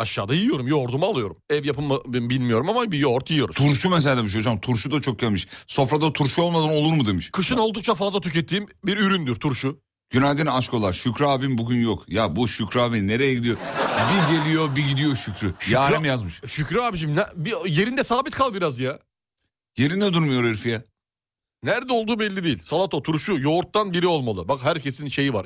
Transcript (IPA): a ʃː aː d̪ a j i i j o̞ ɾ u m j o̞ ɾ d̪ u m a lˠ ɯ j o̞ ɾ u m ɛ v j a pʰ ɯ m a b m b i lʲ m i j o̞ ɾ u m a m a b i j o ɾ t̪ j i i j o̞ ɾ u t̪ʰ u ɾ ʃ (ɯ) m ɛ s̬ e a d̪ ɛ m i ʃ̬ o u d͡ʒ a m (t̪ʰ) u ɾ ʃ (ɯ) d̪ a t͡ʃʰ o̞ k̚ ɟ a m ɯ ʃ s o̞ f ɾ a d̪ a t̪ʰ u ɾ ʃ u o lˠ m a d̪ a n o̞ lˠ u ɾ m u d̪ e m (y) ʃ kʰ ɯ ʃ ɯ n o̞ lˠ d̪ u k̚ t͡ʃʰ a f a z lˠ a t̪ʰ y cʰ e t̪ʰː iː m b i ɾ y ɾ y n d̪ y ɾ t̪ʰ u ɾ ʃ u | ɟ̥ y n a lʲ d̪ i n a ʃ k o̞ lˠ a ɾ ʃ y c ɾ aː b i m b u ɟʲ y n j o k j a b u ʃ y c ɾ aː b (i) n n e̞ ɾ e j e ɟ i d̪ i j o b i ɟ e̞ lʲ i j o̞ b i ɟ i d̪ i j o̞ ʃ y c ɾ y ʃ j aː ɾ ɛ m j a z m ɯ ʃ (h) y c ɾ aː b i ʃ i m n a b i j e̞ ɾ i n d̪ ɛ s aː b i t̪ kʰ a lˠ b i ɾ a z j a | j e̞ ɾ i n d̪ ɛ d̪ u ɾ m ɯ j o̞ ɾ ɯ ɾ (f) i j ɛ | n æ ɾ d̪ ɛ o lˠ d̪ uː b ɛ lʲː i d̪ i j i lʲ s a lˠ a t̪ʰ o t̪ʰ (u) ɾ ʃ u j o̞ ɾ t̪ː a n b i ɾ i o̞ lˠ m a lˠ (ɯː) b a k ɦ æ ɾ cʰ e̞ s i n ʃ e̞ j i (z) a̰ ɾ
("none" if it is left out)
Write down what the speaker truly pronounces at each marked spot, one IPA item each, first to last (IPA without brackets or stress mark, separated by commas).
u, t̪ʰ, u, i, i, ʃ, f, u, ɯ, v